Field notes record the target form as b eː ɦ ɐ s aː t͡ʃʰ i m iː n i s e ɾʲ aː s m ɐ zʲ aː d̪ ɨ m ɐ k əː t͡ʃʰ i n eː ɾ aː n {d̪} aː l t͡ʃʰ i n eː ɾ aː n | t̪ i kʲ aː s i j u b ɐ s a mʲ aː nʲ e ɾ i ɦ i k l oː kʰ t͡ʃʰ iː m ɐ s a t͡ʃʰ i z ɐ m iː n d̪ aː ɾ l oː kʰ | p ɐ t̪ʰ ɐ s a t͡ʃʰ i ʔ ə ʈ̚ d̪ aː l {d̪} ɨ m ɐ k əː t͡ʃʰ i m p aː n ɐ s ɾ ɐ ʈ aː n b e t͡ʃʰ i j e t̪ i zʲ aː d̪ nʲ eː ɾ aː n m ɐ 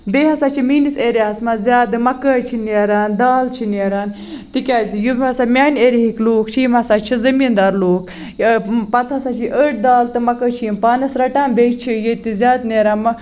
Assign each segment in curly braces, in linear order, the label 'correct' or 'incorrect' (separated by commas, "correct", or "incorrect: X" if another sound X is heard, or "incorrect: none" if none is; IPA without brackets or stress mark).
correct, incorrect: t̪